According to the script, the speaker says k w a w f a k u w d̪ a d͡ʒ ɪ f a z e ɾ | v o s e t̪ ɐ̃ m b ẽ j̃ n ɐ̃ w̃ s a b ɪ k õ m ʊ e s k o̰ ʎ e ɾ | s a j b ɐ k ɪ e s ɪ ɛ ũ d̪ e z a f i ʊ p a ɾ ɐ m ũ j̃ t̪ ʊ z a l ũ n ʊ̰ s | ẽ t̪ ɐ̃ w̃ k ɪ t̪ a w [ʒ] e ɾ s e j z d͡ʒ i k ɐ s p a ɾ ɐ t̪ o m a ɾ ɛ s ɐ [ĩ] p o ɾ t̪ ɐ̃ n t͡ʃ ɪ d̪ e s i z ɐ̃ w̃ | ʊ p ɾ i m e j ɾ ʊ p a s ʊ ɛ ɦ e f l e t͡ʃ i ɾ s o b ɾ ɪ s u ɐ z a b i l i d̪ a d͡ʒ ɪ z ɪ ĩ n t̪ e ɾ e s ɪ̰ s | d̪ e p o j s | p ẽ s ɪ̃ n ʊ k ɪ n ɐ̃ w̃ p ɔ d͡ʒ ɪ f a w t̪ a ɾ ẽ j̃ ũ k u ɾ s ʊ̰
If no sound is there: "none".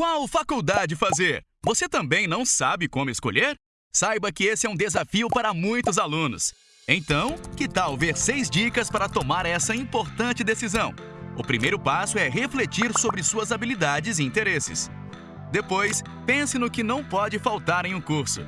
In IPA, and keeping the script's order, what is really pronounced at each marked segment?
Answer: v, ĩ

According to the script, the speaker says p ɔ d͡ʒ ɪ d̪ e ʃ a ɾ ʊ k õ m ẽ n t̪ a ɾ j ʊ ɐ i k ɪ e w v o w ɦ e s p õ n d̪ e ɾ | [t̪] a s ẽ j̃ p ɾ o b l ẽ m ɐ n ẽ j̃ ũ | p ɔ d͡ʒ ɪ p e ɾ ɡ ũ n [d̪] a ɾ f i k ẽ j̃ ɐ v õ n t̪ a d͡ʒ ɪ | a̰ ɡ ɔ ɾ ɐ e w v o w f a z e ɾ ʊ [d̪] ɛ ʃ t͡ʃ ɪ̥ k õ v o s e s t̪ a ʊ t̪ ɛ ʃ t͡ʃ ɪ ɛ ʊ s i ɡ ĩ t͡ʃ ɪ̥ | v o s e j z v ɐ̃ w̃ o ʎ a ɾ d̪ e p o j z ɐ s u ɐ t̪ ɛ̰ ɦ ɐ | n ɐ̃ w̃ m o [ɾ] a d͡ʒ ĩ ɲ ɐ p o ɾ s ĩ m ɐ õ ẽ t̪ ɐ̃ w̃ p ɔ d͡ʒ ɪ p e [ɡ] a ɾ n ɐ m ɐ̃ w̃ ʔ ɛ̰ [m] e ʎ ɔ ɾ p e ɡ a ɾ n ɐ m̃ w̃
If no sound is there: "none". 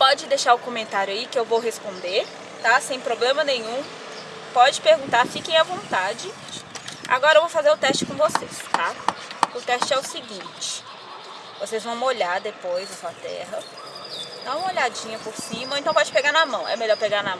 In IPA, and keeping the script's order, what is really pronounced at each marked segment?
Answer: t̪, t̪, t̪, ʎ, ɡ, m

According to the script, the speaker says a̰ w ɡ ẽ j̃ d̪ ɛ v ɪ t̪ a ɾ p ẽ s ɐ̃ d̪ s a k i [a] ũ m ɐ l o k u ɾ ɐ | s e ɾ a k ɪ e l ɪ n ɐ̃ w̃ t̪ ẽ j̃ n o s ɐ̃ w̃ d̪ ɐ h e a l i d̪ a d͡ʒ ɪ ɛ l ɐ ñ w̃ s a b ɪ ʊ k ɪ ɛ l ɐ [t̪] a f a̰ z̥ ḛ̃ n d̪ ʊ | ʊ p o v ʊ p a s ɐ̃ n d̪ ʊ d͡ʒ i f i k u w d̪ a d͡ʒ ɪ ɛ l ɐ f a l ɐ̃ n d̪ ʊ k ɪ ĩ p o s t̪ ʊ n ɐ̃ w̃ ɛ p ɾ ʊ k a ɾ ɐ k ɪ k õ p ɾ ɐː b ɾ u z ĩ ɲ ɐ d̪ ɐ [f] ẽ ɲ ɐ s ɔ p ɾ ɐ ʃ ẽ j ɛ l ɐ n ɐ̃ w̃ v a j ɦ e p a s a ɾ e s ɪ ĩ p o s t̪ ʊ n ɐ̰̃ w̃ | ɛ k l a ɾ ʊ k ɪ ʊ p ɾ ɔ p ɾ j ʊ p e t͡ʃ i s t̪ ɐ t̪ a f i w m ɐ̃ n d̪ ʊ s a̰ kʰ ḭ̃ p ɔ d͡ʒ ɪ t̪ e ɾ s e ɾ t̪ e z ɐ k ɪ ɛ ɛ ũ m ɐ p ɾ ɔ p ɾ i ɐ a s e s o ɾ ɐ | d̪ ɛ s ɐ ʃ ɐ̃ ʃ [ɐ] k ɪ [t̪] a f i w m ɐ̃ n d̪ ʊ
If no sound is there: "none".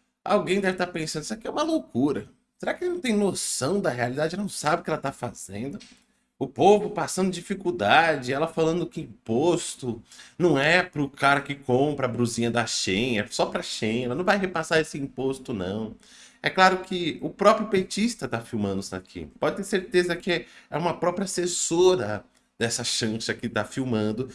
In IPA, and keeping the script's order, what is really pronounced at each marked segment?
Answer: ɛ, t̪, ʃ, ɐ, t̪

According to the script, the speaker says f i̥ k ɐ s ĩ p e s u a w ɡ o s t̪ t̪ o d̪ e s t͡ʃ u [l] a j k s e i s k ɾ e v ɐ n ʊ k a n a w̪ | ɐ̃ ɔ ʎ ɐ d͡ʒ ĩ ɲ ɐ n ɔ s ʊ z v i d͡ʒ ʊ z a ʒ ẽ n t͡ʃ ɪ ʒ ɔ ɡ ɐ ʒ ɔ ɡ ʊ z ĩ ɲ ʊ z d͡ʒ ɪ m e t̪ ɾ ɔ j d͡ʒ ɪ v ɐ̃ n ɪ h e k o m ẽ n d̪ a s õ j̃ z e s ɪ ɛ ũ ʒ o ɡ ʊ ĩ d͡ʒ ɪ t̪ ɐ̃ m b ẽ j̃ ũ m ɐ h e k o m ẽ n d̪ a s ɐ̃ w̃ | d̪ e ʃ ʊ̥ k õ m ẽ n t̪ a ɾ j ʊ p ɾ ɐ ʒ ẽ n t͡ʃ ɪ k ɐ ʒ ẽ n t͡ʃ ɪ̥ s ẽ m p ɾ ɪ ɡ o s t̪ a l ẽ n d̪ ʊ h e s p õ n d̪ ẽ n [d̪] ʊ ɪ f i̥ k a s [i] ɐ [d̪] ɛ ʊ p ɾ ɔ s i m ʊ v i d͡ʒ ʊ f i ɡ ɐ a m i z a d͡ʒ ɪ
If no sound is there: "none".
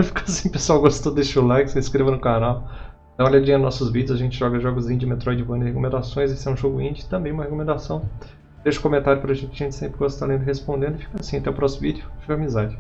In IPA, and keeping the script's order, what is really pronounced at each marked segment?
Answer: l, d̪, ĩ, t̪

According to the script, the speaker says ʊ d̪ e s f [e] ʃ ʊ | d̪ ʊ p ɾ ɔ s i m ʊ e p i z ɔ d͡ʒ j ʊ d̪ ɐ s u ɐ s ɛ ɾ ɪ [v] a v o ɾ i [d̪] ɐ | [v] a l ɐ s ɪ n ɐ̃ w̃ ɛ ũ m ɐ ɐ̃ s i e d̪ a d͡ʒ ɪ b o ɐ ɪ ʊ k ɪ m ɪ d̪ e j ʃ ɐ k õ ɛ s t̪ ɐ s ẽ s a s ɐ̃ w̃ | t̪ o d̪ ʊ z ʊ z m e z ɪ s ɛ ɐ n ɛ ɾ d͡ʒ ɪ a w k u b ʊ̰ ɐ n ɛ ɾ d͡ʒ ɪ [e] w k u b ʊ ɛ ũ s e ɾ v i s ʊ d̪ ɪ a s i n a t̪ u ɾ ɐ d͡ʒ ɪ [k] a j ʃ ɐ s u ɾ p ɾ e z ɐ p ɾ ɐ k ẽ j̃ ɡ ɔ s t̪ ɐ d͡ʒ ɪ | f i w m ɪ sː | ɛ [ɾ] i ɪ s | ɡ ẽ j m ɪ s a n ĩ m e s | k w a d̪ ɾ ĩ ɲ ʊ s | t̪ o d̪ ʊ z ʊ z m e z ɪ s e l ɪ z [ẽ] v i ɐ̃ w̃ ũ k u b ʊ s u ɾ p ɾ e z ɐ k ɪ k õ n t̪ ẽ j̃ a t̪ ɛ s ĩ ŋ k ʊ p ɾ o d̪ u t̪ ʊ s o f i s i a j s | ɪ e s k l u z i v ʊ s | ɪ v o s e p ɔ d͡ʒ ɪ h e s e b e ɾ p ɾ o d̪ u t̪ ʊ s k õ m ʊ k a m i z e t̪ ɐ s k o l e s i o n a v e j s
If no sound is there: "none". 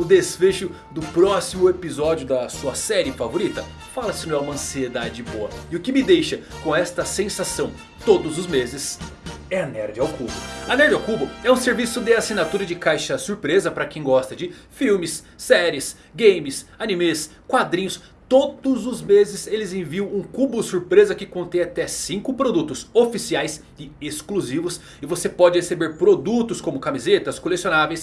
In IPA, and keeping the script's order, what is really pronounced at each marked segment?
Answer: e, f, t̪, f, a, k, ɾ, ẽ

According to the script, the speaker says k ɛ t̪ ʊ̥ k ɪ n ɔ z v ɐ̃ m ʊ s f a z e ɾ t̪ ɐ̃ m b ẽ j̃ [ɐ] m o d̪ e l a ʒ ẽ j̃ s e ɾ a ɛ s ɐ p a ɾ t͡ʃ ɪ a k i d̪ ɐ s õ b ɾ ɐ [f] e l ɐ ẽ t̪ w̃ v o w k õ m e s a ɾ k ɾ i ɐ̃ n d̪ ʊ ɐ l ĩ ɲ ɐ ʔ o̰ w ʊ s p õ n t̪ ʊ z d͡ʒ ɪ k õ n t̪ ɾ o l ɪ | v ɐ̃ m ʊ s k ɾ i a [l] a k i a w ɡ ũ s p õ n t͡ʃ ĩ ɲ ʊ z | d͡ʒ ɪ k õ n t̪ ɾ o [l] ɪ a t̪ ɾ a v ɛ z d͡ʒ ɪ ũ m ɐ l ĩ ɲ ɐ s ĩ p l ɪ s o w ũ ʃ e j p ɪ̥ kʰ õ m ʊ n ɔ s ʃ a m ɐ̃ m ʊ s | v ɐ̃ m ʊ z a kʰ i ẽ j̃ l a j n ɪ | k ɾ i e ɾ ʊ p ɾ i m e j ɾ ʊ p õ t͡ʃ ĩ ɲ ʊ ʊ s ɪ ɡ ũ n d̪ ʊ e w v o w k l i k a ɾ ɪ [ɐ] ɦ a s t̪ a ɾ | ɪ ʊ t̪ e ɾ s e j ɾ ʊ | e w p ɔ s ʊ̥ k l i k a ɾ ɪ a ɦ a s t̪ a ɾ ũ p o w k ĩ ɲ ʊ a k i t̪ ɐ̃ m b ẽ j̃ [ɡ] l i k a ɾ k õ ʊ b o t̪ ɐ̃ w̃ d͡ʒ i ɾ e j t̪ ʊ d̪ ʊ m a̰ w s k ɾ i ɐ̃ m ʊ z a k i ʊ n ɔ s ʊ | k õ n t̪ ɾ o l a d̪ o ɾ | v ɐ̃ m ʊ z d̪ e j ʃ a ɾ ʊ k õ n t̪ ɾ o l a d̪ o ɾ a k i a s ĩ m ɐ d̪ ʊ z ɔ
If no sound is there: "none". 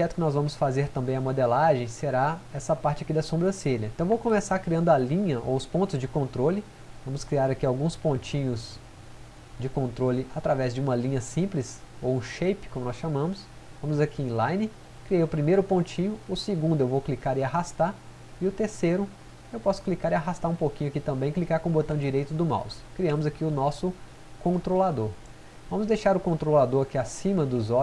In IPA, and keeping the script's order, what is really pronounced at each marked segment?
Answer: ɐ, s, ɾ, l, a, k

